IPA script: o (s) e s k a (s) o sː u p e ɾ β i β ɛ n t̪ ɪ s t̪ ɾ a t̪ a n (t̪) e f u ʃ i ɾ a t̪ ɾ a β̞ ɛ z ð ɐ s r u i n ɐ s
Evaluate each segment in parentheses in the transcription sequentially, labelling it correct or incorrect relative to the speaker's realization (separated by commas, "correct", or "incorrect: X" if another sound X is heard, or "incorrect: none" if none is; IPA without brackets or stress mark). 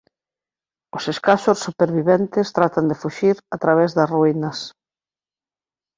correct, incorrect: ʃ, incorrect: d̪